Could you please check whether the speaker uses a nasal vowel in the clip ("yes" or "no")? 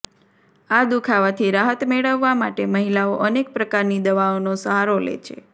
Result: no